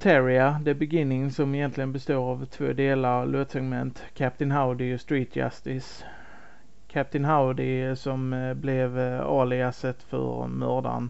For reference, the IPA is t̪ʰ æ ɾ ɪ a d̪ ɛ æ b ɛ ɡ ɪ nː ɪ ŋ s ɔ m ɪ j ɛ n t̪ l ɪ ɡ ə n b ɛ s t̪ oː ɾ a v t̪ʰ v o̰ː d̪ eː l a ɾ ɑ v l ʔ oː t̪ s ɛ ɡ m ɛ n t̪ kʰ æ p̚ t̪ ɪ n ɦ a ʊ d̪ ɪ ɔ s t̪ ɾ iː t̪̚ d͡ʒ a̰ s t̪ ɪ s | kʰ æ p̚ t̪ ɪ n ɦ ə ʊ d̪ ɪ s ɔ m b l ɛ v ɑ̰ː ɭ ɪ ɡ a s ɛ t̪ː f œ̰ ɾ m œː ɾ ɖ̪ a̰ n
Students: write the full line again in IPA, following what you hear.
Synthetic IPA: t̪ʰ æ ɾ ɪ a d̪ ɛ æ b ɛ ɡ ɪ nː ɪ ŋ s ɔ m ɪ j ɛ n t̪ l ɪ ɡ ə n b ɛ s t̪ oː ɾ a v t̪ʰ v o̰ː d̪ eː l a ɾ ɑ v l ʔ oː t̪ s ɛ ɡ m ɛ n t̪ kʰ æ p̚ t̪ ɪ n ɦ a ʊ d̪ ɪ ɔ s t̪ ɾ iː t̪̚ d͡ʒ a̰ s t̪ ɪ s | kʰ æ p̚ t̪ ɪ n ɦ a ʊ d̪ ɪ s ɔ m b l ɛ v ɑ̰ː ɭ ɪ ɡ a s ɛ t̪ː f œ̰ ɾ m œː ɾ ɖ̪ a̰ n